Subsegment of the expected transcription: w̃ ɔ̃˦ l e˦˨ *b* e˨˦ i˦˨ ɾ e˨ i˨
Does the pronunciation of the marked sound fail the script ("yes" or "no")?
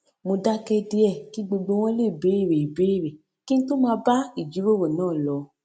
no